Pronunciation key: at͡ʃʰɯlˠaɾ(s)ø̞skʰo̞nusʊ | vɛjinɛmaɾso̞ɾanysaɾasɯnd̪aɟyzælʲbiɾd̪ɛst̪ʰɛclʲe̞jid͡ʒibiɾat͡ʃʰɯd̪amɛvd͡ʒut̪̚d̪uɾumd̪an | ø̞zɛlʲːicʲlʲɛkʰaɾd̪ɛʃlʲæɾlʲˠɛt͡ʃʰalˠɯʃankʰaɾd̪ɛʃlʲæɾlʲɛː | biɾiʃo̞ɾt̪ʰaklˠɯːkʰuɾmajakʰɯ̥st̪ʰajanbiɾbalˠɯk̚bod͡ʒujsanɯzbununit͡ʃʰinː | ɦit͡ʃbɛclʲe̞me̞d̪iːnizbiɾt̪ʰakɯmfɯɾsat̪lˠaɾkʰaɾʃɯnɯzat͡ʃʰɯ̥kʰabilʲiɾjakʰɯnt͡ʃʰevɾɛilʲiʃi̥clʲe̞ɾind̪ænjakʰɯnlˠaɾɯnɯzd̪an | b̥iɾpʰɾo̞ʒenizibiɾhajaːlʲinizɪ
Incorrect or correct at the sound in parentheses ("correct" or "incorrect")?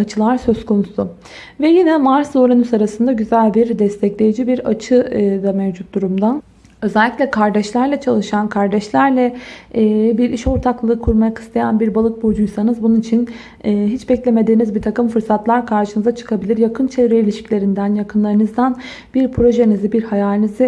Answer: correct